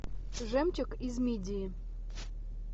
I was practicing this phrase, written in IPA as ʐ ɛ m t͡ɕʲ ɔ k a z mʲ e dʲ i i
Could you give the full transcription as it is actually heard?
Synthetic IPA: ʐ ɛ m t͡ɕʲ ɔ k i z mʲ i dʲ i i